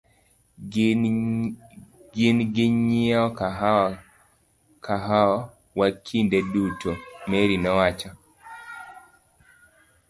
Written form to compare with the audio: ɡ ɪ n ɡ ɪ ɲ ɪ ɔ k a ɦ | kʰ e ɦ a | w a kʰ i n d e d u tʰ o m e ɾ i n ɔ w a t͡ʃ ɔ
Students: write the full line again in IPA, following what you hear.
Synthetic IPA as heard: ɡ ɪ n ɡ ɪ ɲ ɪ ɔ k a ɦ | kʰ a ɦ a | w a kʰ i n d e d u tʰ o m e ɾ i n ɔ w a t͡ʃ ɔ